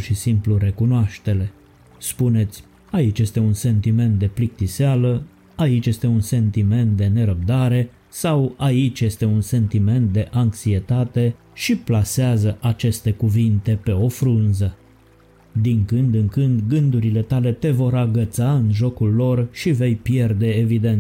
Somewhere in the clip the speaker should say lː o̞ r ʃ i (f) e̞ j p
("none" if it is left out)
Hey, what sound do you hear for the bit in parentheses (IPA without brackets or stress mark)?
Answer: v